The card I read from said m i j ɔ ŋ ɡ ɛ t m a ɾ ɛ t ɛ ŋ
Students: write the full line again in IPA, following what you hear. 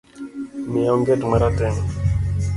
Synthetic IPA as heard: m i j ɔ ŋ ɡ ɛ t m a ɾ a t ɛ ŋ